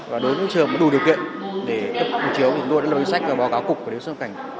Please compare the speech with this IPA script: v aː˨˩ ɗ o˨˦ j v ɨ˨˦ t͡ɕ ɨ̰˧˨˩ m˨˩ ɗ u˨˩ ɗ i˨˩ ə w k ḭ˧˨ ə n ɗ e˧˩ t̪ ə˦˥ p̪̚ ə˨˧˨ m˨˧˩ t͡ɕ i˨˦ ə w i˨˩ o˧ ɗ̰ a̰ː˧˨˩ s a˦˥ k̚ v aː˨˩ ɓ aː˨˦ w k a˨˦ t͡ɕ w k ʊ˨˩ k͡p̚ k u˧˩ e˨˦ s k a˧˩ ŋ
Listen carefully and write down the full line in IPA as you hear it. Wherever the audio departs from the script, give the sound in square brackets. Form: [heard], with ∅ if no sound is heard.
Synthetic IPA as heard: v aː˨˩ ɗ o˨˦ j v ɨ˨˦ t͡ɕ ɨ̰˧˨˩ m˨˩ ɗ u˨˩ ɗ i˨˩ ə w k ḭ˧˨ ə n ɗ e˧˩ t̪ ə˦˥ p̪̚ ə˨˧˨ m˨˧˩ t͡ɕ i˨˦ ə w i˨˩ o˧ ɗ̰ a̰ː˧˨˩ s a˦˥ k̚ v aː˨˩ ɓ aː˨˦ w k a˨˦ [∅] w k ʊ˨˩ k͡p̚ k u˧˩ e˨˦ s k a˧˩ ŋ